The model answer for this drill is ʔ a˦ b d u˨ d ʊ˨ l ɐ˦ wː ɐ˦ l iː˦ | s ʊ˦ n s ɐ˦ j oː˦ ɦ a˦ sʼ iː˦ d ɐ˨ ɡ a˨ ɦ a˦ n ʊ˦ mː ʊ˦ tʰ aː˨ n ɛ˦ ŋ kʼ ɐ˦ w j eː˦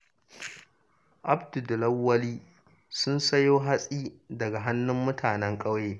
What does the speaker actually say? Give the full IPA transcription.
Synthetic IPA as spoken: ʔ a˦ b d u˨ d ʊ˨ l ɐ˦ wː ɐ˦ l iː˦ | s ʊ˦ n s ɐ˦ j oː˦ ɦ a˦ sʼ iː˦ d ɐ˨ ɡ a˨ ɦ a˦ nː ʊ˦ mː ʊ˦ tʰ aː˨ n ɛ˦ ŋ kʼ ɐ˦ w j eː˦